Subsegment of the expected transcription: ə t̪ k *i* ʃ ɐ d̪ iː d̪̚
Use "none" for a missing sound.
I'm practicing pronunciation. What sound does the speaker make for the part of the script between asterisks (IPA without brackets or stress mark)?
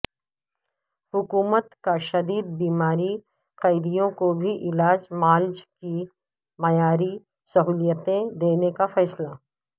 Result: a